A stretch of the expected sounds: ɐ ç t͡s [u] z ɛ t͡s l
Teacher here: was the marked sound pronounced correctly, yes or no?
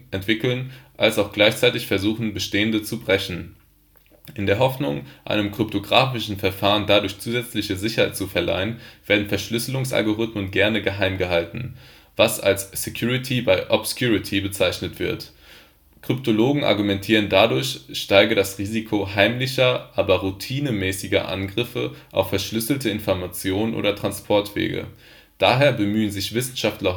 no